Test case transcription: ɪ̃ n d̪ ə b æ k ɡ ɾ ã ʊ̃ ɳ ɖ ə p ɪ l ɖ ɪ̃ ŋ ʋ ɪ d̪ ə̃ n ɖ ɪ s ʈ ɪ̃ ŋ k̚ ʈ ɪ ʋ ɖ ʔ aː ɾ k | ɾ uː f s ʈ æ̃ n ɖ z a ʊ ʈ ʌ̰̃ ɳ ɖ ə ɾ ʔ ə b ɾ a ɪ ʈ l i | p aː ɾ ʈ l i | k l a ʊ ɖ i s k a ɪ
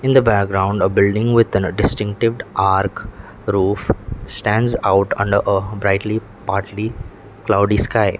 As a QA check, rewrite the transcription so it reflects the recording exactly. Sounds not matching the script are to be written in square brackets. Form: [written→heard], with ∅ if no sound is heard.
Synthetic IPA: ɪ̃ n d̪ ə b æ k ɡ ɾ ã ʊ̃ ɳ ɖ ə [p→b] ɪ l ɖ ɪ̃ ŋ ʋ ɪ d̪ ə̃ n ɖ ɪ s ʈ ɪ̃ ŋ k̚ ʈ ɪ ʋ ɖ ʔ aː ɾ k | ɾ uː f s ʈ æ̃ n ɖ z a ʊ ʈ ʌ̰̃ ɳ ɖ ə ɾ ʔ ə b ɾ a ɪ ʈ l i | p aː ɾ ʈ l i | k l a ʊ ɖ i s k a ɪ